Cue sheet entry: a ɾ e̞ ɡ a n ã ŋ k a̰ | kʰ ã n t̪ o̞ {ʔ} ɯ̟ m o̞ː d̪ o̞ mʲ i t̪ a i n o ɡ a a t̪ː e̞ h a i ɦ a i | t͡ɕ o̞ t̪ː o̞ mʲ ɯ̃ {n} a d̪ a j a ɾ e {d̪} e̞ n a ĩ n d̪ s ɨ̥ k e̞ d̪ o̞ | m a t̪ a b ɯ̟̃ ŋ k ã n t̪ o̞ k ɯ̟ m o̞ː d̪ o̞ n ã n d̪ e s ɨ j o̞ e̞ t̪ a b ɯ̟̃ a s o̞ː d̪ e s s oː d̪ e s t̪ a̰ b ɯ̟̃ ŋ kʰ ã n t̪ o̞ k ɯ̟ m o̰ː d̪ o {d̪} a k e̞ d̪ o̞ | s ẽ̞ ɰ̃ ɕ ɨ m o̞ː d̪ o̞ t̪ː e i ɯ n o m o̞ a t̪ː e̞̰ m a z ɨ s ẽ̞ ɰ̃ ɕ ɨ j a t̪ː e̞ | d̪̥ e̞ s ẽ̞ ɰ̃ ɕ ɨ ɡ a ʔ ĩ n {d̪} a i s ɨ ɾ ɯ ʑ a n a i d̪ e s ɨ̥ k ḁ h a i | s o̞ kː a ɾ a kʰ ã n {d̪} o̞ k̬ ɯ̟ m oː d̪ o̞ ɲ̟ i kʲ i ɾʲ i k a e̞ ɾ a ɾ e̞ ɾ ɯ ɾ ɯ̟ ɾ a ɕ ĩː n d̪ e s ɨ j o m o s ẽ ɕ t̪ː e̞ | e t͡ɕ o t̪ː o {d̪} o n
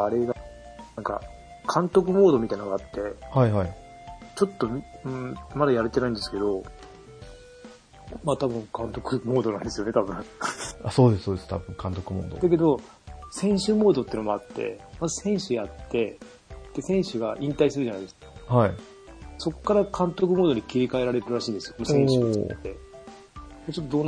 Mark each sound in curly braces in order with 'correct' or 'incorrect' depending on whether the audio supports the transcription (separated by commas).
incorrect, incorrect, incorrect, correct, incorrect, incorrect, correct